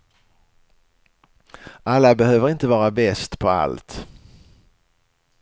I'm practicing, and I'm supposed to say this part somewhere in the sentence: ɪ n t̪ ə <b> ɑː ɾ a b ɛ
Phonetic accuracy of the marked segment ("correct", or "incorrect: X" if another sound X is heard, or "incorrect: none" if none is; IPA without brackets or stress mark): incorrect: v